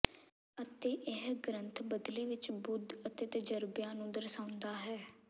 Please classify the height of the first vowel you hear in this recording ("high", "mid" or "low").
mid